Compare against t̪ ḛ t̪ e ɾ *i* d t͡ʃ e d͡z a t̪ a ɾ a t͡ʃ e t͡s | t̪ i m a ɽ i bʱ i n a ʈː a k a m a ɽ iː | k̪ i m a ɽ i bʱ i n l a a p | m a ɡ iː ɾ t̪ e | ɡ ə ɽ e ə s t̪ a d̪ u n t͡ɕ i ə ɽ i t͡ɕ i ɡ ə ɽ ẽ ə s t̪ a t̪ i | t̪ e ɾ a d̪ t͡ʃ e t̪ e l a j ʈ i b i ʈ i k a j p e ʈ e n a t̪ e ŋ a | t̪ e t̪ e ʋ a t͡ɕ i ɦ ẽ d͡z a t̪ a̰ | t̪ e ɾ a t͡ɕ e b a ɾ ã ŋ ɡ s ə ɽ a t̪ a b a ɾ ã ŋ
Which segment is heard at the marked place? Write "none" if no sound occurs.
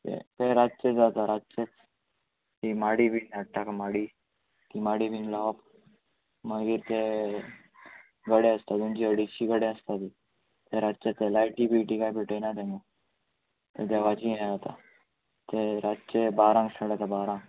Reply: a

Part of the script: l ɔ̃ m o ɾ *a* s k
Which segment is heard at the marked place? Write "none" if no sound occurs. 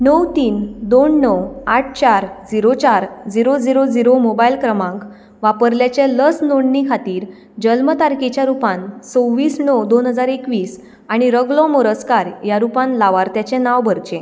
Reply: ə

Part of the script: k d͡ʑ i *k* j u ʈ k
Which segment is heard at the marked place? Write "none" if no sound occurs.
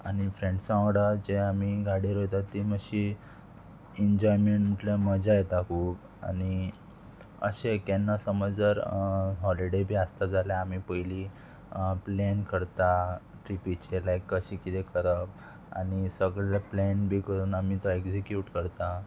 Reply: k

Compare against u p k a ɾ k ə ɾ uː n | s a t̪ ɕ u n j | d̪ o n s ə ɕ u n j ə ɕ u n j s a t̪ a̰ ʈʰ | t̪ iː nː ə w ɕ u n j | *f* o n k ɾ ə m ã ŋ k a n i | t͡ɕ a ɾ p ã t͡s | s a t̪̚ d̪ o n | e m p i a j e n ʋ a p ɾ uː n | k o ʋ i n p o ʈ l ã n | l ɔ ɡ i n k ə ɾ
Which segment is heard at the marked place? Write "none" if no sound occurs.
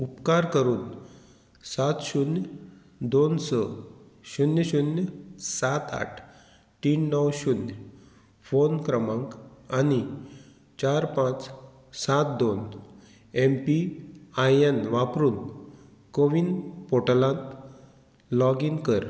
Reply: f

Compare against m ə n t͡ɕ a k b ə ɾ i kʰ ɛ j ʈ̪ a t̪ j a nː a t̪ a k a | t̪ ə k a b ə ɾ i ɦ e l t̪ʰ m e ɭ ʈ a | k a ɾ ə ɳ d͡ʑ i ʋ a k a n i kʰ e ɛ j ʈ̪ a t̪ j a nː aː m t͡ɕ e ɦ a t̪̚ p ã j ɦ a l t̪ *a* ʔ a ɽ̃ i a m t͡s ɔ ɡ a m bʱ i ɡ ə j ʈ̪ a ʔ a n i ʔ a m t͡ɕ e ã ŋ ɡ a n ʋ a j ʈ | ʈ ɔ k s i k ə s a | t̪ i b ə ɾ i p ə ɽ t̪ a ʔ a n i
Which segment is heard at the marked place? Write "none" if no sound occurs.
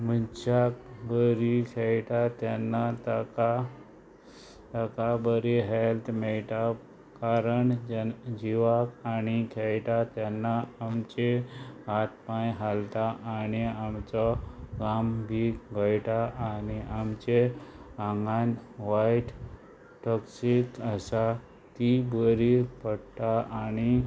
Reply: a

